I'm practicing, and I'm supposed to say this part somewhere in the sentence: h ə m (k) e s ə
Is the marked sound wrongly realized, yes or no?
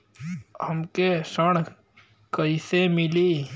no